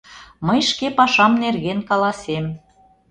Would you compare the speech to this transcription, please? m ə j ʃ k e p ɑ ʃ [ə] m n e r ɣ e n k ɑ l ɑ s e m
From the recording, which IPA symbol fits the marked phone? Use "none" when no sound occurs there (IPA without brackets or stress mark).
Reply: ɑ